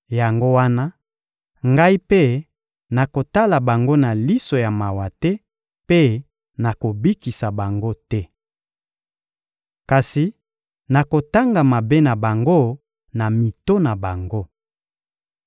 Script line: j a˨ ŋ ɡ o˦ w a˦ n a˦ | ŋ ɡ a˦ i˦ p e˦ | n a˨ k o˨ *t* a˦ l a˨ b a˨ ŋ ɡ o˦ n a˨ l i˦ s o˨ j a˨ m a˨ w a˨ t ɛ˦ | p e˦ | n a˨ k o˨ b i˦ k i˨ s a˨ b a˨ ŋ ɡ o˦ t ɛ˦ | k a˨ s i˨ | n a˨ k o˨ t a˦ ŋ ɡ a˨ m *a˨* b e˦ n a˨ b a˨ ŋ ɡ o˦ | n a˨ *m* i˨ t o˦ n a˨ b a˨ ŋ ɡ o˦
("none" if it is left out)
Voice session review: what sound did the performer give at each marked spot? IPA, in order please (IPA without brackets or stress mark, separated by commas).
t, a˨, m